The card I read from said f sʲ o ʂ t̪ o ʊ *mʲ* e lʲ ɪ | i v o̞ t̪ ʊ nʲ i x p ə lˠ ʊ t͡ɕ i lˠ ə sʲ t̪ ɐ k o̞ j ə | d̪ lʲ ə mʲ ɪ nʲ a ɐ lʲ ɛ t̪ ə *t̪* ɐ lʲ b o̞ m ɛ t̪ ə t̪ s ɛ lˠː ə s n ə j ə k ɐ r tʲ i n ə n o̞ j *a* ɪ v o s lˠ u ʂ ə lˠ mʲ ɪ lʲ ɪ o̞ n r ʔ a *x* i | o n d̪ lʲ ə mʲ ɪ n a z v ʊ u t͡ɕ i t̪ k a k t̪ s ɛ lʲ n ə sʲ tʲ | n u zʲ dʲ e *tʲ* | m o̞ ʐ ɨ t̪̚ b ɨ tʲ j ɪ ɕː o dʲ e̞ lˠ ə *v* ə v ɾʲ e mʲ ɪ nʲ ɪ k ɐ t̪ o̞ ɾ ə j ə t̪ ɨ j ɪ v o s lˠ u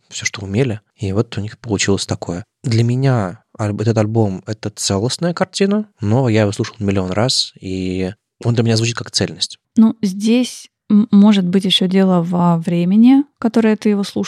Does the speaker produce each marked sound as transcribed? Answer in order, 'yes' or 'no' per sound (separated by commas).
yes, yes, yes, no, no, yes